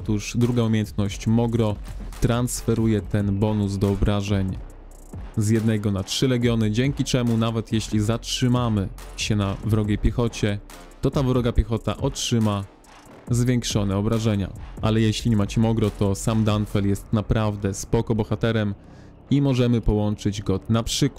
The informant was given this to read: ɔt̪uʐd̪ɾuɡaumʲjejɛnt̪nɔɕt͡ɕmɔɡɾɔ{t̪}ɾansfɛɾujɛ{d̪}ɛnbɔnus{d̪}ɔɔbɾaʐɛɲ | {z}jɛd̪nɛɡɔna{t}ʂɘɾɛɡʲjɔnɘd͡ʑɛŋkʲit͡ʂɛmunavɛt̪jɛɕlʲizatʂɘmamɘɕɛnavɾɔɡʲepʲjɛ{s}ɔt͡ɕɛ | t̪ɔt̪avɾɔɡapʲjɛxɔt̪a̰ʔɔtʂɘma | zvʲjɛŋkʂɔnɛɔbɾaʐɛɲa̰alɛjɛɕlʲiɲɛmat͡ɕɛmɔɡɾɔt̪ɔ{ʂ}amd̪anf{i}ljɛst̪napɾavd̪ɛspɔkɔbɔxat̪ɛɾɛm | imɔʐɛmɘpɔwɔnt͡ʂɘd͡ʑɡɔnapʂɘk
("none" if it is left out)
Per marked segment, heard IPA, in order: t̪, t̪, d̪, z, t, x, s, ɛ

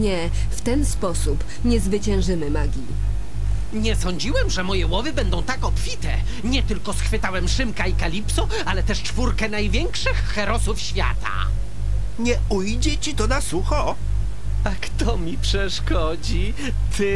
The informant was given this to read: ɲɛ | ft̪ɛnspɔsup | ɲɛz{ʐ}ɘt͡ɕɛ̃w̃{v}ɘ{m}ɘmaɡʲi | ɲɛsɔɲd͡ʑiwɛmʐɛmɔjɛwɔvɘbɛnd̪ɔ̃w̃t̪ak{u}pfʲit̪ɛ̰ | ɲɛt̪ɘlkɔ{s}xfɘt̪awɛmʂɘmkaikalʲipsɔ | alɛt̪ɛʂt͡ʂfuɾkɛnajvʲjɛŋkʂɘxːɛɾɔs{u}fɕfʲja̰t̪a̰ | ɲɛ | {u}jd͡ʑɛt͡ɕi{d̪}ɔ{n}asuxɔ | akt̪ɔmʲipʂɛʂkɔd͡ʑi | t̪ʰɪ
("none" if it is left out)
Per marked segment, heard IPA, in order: v, ʐ, m, ɔ, s, u, u, t̪, n

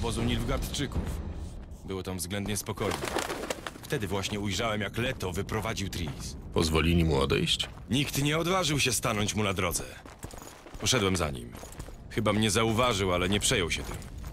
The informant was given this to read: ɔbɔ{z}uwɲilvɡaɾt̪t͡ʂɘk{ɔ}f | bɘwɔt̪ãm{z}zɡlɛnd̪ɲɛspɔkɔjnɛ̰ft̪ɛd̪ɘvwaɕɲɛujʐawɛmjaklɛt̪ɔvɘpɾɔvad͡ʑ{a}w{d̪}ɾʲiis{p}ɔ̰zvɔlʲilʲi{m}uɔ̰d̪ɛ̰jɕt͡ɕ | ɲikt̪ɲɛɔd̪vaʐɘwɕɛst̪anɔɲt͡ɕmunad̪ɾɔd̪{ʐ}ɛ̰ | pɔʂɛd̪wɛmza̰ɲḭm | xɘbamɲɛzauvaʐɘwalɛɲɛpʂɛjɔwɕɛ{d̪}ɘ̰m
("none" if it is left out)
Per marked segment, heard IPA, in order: z, u, v, i, t̪, p, m, z, t̪

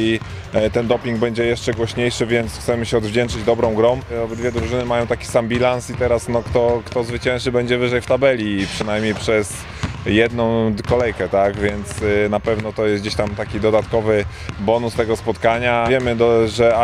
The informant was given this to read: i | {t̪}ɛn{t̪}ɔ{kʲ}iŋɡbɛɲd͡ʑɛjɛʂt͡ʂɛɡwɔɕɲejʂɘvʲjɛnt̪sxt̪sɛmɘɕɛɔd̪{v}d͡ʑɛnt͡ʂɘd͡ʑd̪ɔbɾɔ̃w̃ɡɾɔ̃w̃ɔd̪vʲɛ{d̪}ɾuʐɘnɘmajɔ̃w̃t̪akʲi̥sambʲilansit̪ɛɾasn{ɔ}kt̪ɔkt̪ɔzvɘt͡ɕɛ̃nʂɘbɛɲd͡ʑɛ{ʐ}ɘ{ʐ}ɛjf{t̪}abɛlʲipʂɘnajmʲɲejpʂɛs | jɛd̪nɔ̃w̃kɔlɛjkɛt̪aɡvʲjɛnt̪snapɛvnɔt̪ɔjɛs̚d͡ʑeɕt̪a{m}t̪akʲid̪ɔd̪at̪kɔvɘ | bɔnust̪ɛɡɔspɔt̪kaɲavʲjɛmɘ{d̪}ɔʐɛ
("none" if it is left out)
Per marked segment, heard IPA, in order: t̪, d̪, pʲ, v, d̪, ɔ, v, ʐ, t̪, m, d̪

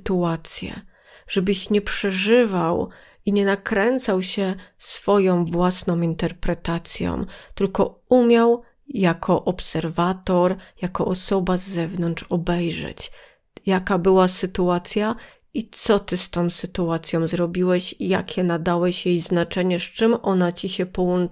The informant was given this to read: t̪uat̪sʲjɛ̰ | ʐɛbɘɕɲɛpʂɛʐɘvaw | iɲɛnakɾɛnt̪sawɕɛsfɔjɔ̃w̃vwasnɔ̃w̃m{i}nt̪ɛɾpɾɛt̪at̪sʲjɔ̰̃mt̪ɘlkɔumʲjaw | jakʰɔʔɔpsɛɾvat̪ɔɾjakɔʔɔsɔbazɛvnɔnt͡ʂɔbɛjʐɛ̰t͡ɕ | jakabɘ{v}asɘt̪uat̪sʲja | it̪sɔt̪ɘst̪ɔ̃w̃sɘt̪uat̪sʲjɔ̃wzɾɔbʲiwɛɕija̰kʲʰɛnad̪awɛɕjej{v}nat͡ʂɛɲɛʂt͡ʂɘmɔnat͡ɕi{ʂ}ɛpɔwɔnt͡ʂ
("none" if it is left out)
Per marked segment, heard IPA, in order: i, w, z, ɕ

